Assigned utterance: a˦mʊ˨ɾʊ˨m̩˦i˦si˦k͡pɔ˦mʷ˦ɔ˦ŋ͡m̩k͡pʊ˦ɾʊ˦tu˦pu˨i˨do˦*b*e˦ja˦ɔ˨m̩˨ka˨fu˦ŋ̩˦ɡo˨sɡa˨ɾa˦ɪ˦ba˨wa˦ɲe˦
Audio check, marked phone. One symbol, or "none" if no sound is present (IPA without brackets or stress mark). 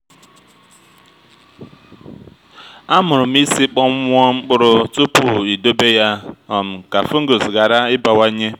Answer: b